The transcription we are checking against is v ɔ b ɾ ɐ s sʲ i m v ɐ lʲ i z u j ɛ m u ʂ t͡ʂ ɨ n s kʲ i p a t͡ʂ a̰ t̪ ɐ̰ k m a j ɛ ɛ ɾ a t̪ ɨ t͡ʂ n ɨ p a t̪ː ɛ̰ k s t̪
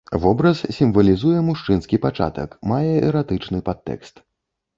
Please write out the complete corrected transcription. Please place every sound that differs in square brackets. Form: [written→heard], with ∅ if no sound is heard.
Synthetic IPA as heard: v ɔ b ɾ ɐ s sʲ i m v ɐ lʲ i z u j ɛ m u ʂ t͡ʂ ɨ n s kʲ i p a t͡ʂ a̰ t̪ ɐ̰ k m a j ɛ ɛ ɾ a t̪ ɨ t͡ʂ n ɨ p a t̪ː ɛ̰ k s t̪